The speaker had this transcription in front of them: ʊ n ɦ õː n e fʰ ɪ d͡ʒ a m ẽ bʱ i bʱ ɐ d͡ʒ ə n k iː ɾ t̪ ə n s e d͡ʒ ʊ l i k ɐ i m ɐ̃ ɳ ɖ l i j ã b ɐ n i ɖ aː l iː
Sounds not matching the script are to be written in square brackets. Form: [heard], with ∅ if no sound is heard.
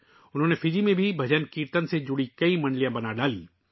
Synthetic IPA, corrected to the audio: ʊ n ɦ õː n e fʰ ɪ d͡ʒ [i] m ẽ bʱ i bʱ ɐ d͡ʒ ə n k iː ɾ t̪ ə n s e d͡ʒ ʊ [ɽ] i k ɐ i m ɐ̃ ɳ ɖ l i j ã b ɐ n [a] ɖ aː l iː